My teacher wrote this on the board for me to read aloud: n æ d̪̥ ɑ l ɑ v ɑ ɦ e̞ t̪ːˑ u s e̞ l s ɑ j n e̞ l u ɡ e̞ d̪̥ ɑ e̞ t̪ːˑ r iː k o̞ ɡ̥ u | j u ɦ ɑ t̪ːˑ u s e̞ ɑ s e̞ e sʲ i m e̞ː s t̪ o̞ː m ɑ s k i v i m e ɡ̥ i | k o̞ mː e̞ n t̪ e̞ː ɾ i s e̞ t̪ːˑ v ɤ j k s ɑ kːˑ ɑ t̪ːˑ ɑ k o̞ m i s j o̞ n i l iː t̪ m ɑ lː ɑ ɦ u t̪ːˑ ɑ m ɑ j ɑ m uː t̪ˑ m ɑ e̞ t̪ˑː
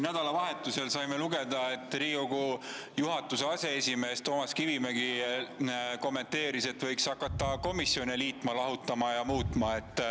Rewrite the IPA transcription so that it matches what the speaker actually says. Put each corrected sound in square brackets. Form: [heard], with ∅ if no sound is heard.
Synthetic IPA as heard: n æ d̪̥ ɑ l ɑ v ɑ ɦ e̞ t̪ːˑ u s e̞ l s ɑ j [m] e̞ l u ɡ e̞ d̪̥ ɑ e̞ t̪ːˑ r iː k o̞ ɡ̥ u | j u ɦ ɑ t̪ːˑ u s e̞ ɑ s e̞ e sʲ i m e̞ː s t̪ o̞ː m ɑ s k i v i m e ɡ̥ i | k o̞ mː e̞ n t̪ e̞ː ɾ i s e̞ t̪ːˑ v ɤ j k s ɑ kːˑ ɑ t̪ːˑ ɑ k o̞ m i s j o̞ n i l iː t̪ m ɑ [l] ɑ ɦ u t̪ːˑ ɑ m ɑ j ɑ m uː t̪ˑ m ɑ e̞ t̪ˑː